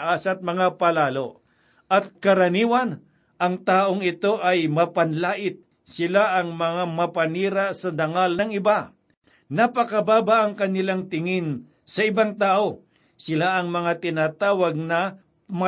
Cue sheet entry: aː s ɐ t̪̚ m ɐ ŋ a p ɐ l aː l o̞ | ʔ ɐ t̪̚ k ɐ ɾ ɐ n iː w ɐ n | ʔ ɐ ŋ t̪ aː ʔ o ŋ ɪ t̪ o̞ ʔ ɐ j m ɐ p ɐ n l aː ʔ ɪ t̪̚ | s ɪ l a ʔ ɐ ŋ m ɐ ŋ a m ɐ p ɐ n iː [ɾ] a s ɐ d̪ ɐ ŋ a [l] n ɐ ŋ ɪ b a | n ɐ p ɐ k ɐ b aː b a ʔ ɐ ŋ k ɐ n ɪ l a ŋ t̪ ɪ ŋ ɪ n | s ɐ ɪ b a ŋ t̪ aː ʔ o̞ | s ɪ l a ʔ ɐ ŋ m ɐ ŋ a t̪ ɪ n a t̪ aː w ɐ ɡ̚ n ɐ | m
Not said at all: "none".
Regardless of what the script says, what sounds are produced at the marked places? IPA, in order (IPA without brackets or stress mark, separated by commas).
ɾ, l